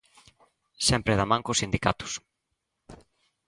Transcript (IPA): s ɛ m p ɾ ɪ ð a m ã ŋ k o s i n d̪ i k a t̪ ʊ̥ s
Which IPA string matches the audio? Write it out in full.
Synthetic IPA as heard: s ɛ m p ɾ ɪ ð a m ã ŋ k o s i n d̪ i k a t̪ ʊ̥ s